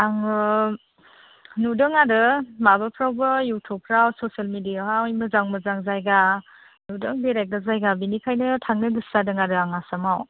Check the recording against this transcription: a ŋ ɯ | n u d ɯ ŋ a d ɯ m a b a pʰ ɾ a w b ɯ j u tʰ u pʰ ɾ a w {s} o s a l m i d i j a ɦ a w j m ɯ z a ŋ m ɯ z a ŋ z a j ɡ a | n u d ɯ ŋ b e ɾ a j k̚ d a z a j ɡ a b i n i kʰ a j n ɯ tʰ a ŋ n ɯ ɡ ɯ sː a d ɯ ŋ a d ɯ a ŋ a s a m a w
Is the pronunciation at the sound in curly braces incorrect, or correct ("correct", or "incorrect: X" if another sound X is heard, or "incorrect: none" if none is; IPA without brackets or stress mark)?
correct